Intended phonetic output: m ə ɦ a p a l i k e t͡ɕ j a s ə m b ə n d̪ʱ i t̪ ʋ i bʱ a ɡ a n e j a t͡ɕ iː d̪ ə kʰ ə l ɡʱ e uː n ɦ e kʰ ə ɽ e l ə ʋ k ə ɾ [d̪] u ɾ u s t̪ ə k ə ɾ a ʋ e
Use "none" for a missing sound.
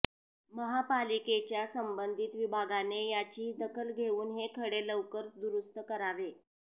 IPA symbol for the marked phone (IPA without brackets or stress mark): d̪